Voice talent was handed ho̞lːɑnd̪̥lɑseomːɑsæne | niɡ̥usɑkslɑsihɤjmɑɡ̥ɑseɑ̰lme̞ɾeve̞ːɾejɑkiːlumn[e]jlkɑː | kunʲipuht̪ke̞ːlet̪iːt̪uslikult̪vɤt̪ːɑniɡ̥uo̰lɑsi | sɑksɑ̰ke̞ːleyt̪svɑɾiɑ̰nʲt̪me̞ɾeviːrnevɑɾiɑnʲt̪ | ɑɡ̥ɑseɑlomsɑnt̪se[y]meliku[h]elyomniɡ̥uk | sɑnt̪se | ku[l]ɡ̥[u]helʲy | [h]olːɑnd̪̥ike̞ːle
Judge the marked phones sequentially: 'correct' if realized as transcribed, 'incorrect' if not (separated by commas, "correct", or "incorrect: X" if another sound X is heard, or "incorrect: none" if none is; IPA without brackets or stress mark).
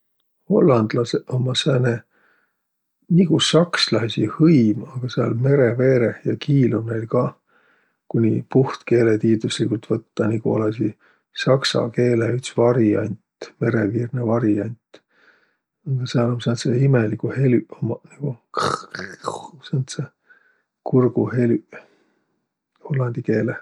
correct, incorrect: i, correct, incorrect: r, correct, correct